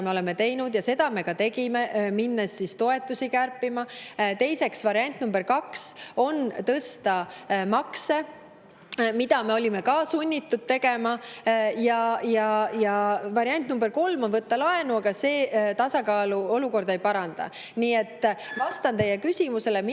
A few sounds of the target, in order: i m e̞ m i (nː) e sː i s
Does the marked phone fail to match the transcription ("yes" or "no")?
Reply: no